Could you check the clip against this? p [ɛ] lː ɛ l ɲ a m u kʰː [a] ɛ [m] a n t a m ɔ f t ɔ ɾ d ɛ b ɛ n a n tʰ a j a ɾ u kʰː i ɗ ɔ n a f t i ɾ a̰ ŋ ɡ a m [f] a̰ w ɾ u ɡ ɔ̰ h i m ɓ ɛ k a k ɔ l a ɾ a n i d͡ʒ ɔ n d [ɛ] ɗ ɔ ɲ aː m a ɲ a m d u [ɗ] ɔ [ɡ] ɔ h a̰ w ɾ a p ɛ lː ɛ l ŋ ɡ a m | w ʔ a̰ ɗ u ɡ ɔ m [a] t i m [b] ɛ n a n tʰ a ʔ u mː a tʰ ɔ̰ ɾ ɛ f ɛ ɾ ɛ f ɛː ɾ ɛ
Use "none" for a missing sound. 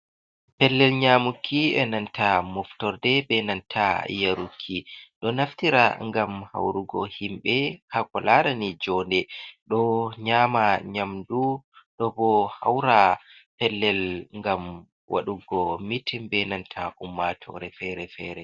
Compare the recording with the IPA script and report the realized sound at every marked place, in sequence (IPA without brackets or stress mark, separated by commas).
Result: ɛ, i, n, h, ɛ, ɗ, b, i, b